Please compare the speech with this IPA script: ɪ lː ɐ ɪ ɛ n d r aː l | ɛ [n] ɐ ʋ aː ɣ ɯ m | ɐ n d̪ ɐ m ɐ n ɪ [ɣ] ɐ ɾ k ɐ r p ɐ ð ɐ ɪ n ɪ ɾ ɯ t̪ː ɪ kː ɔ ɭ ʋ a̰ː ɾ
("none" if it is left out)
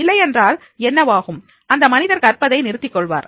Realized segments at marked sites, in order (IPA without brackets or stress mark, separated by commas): nː, ð